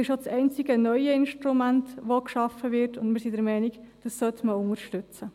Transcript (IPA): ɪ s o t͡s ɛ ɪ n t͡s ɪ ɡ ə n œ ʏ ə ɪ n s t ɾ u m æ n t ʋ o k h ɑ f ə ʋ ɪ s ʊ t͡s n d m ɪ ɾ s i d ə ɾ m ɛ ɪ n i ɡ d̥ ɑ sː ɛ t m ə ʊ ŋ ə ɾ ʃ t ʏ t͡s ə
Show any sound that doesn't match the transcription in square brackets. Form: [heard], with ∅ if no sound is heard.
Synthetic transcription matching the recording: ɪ [ʃ] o t͡s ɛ ɪ n t͡s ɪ ɡ ə n œ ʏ ə ɪ n [ʃ] t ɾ u m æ n t ʋ o k [ʃ] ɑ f ə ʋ ɪ [t] ʊ [∅] n d m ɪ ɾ s i d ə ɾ m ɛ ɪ n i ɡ d̥ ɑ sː [œ] t m ə ʊ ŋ ə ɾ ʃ t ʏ t͡s ə